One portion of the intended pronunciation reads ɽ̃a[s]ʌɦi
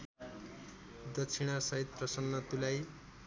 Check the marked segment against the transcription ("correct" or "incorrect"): correct